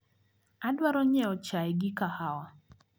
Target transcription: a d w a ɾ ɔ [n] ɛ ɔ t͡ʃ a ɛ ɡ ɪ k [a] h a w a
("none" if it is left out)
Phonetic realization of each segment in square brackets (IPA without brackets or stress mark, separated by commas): ɲ, a